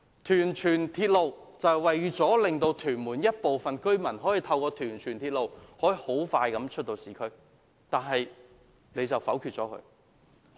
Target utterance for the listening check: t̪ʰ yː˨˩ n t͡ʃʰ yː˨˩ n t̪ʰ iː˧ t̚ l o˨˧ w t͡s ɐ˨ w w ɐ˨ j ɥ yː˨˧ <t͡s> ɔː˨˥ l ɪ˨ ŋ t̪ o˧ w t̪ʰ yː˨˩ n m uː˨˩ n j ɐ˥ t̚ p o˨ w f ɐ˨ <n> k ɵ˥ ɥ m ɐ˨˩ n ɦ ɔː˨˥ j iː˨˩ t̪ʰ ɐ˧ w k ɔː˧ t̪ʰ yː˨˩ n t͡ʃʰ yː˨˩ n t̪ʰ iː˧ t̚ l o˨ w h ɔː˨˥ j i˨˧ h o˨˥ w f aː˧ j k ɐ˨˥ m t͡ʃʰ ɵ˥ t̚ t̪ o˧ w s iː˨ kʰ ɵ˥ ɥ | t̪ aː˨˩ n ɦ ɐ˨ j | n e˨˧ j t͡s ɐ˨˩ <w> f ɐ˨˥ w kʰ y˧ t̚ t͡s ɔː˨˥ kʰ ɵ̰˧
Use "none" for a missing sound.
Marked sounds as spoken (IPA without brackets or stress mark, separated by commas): t͡s, n, w